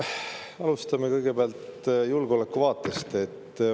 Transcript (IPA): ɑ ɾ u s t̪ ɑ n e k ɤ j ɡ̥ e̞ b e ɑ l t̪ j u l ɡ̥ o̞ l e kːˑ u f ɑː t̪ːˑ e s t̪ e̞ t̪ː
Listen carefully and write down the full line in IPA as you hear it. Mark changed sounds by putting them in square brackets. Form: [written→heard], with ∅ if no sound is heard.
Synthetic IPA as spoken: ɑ [ɾ→l] u s t̪ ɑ [n→m] e k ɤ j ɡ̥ e̞ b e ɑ l t̪ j u l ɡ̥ o̞ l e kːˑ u [f→v] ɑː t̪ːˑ e s t̪ e̞ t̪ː